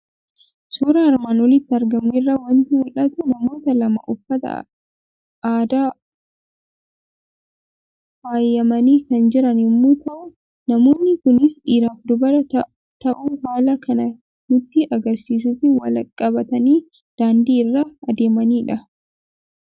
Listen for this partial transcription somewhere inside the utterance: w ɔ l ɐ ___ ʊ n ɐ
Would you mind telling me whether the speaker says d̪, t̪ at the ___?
t̪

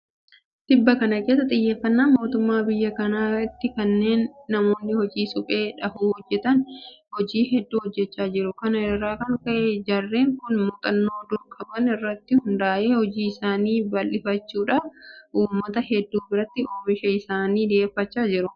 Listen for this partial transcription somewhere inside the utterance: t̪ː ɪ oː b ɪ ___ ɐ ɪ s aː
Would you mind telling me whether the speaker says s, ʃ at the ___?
ʃ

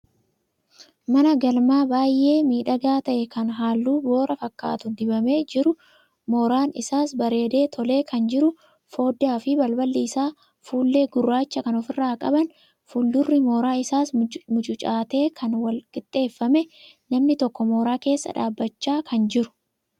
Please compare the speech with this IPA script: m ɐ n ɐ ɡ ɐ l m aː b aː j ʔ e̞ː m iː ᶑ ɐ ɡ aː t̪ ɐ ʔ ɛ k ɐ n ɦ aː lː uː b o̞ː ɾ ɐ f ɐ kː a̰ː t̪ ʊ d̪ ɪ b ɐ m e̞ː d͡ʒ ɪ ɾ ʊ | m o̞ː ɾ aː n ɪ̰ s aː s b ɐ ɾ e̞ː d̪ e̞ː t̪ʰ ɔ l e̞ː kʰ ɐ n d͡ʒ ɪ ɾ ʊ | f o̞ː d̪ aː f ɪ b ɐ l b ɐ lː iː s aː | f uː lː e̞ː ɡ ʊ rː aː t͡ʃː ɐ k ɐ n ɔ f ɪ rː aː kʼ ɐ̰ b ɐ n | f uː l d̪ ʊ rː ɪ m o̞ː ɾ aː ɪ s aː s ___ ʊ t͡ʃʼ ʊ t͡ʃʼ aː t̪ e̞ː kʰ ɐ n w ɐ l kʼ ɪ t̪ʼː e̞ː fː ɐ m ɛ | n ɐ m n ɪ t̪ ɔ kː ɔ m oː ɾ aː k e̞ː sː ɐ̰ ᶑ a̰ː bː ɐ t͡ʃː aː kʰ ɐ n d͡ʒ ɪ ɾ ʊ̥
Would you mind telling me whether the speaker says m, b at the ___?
m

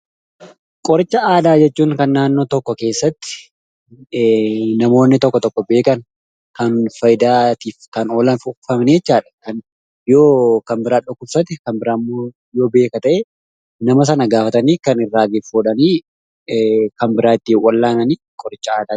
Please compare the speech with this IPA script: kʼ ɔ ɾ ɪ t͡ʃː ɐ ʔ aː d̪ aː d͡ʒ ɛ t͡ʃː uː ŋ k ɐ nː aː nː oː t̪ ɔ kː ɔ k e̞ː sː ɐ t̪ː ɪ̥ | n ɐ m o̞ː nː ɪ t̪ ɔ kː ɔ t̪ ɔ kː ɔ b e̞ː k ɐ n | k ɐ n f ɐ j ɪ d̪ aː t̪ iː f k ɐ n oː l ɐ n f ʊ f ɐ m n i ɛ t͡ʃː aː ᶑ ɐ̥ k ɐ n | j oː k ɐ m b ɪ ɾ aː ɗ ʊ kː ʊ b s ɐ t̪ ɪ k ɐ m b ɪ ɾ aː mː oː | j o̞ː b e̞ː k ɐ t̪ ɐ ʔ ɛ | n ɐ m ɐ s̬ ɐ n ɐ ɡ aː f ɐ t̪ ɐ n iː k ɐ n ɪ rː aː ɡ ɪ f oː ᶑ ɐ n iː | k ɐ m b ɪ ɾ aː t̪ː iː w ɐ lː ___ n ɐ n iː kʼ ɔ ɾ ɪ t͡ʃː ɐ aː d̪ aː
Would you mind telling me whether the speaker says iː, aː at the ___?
aː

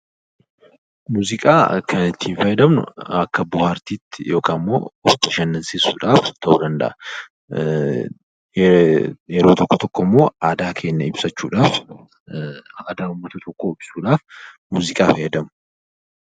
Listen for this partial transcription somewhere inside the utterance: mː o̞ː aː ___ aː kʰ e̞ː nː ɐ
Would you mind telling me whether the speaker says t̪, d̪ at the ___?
d̪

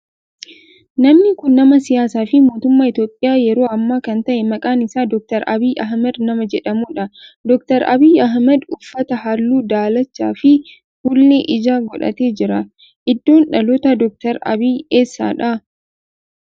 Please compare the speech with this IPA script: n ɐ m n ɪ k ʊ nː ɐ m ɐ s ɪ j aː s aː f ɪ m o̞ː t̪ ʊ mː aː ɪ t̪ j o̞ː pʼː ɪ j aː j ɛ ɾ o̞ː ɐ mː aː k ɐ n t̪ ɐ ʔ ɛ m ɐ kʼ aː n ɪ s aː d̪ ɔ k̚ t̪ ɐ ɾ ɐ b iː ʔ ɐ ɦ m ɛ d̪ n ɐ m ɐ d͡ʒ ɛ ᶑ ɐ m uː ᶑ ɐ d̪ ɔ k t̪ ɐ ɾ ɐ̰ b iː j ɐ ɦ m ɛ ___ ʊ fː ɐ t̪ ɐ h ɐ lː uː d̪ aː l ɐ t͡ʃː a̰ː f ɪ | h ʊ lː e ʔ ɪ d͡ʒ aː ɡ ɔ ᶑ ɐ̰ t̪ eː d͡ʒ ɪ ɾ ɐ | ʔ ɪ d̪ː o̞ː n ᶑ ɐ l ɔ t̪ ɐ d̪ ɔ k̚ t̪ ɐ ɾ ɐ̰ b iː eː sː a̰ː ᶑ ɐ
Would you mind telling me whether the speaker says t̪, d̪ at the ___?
d̪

